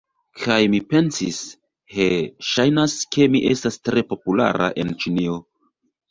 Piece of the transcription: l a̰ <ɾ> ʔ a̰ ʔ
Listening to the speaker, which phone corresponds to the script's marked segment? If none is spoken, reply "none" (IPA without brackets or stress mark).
ɾ